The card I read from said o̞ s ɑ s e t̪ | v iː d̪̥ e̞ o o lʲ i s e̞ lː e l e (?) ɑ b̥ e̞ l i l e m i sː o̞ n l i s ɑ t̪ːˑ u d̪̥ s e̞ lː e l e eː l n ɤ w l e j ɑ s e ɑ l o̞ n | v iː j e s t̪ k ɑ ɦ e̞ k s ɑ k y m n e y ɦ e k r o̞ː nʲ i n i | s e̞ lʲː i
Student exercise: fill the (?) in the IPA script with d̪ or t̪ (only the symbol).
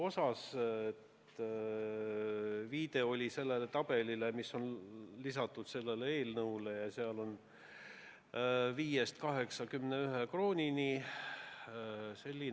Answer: t̪